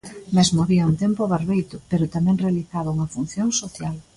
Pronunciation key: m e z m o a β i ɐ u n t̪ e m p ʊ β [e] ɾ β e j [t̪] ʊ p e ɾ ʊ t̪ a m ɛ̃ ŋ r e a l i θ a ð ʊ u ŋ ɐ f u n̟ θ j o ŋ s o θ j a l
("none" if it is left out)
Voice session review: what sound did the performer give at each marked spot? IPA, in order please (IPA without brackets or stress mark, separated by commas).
a, t̪